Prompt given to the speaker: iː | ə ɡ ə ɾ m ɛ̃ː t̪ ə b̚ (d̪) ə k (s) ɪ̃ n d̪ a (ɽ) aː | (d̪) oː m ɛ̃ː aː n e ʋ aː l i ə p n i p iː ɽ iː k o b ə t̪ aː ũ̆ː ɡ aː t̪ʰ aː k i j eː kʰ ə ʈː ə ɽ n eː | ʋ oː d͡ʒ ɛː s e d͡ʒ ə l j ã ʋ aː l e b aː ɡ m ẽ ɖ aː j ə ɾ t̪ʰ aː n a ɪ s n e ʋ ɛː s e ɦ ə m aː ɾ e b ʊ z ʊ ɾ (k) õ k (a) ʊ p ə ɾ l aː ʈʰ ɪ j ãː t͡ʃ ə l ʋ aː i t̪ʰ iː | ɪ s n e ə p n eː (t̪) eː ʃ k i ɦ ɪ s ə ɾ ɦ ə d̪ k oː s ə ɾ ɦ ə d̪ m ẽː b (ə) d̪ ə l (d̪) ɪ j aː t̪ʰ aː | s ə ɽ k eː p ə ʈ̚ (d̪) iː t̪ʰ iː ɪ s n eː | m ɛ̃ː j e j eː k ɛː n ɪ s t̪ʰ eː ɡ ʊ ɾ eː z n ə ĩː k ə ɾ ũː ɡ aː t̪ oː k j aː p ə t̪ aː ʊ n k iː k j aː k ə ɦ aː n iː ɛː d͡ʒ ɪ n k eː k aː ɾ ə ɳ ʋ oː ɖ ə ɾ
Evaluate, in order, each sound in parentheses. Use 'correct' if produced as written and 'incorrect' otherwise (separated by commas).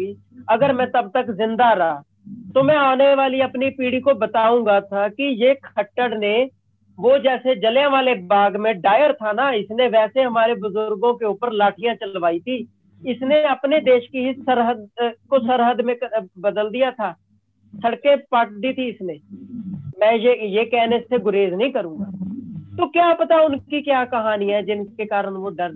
incorrect, incorrect, incorrect, incorrect, incorrect, incorrect, incorrect, correct, correct, correct